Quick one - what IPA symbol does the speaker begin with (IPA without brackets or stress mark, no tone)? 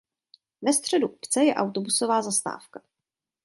v